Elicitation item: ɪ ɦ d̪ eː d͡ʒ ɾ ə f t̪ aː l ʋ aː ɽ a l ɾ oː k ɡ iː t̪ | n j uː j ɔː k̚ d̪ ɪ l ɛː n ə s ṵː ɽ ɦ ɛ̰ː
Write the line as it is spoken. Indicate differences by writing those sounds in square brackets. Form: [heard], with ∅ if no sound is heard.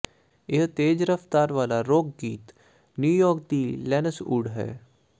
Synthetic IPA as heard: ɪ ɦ [t̪] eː d͡ʒ ɾ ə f t̪ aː [ɾ] ʋ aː [l] a [∅] ɾ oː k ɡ iː t̪ | n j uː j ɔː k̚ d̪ [i] l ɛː n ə s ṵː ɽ ɦ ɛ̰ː